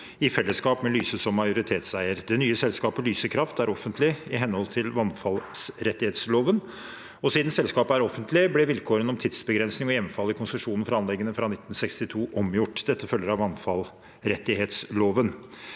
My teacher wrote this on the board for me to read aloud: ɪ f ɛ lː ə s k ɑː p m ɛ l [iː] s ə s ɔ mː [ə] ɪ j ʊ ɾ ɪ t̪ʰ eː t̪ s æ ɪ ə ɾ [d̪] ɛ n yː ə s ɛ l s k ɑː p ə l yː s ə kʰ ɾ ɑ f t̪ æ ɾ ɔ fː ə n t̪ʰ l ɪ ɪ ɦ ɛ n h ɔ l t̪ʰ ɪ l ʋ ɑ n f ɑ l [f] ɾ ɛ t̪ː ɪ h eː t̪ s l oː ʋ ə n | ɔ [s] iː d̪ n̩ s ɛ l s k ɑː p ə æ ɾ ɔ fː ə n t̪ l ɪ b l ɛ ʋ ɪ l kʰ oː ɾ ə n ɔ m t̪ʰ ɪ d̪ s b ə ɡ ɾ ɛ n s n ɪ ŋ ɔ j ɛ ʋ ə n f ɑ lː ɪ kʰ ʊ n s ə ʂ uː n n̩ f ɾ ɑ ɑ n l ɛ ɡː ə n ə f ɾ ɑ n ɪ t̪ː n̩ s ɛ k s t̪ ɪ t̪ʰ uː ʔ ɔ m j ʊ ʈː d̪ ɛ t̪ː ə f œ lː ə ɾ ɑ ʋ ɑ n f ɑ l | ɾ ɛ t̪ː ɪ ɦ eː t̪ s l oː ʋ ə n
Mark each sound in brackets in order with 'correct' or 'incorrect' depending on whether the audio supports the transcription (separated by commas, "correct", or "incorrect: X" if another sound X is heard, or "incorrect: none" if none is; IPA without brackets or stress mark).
incorrect: yː, incorrect: ɑ, correct, incorrect: s, correct